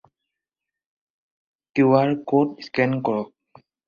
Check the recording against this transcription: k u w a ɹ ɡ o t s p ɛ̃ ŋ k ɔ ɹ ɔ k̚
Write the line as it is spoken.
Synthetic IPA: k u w a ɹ k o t s k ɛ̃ n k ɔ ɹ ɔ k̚